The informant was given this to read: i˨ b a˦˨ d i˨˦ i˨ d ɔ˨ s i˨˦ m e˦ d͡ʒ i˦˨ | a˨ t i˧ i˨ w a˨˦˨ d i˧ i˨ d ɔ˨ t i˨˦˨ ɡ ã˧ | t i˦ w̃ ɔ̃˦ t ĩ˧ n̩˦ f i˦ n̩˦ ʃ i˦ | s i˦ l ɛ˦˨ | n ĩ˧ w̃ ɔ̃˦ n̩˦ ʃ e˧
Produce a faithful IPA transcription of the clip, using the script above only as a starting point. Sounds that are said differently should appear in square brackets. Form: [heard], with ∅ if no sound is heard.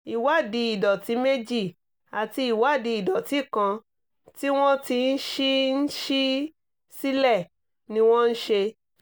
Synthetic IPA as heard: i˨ [w] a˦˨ d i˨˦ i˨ d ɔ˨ [t] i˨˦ m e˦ d͡ʒ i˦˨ | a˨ t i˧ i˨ w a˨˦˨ d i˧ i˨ d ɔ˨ t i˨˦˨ [k] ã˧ | t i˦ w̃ ɔ̃˦ t [i˧] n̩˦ [ʃ] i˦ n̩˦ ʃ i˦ | s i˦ l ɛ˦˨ | n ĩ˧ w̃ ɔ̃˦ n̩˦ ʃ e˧